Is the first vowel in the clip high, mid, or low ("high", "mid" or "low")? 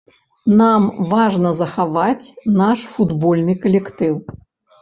low